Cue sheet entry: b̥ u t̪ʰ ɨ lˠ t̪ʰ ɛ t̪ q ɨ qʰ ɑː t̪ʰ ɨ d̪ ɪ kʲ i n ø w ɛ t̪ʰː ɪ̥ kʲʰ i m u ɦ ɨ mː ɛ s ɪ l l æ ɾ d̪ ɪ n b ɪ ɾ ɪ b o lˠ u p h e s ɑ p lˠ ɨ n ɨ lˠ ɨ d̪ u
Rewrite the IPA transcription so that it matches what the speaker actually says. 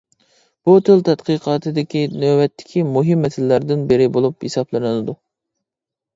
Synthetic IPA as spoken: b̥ u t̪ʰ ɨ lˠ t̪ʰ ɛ t̪ q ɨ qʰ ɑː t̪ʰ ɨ d̪ ɪ kʲ i n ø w ɛ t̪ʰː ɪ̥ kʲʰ i m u ɦ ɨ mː ɛ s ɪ l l æ ɾ d̪ ɪ n b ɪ ɾ ɪ b o lˠ u p h e s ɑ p lˠ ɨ n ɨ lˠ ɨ d̪ u